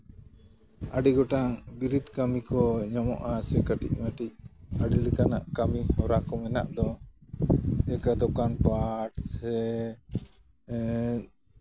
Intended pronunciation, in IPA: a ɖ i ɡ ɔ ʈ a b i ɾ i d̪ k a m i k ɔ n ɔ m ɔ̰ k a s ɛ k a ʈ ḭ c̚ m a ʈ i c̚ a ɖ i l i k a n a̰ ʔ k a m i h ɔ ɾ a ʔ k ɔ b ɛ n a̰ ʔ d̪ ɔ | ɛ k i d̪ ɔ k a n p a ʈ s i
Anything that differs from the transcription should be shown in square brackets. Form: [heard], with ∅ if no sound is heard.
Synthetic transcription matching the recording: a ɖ i ɡ ɔ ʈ a b i ɾ i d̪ k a m i k ɔ [ɲ] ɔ m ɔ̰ [ʔ] a s ɛ k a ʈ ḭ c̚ m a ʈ i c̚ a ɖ i l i k a n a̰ ʔ k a m i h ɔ ɾ a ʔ k ɔ [m] ɛ n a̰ ʔ d̪ ɔ | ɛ k [a] d̪ ɔ k a n p a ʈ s [ɛ]